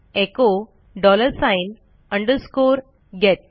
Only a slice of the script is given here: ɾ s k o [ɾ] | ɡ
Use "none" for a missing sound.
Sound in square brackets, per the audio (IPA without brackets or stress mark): ɾ